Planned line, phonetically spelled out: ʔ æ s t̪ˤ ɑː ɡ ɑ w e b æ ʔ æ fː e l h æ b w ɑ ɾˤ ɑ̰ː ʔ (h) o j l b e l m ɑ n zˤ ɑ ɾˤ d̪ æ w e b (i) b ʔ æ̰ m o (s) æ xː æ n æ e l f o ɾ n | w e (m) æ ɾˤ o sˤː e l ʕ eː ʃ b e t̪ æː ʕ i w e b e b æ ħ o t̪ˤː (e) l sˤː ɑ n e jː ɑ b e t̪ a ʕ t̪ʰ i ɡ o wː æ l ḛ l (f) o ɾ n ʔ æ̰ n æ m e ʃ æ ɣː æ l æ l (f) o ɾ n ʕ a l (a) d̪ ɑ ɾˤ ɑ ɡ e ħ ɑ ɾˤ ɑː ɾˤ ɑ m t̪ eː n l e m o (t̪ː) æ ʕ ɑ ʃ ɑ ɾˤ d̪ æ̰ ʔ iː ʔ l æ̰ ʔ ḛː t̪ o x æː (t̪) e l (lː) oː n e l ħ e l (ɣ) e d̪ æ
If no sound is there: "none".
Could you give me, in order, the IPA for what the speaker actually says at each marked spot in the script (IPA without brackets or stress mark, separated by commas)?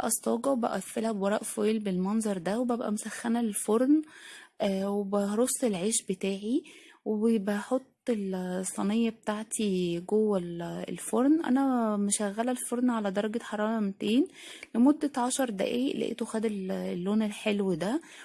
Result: f, æ, s, b, e, f, f, æ, d̪ː, d̪, lː, w